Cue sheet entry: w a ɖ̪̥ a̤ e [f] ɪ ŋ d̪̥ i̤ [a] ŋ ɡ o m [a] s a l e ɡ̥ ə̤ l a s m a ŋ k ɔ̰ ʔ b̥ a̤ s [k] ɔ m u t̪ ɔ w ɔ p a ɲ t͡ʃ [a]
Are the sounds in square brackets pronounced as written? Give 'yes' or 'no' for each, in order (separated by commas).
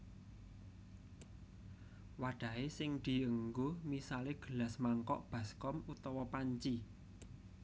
no, no, no, yes, no